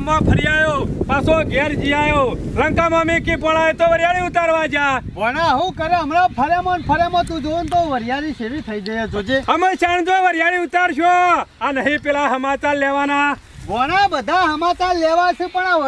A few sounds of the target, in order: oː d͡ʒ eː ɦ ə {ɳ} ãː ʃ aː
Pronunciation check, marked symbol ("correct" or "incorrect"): incorrect